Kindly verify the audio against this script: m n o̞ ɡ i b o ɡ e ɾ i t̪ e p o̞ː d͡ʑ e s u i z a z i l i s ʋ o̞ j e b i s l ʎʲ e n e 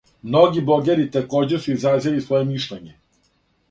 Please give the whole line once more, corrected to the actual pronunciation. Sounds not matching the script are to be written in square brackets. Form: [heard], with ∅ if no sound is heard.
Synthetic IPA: m n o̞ ɡ i b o ɡ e ɾ i t̪ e [k] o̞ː d͡ʑ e s u i z a z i l i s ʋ o̞ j e [m] i [ʃ] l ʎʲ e [ɲ] e